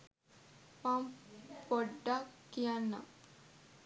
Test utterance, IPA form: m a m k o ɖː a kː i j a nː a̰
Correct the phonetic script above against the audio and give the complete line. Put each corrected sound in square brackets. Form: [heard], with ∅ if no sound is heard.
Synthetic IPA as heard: m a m [p] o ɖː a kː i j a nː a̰